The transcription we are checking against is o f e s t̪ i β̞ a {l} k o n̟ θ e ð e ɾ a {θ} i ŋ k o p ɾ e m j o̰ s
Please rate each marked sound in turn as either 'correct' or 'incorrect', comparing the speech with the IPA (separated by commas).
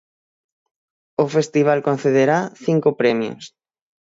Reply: correct, correct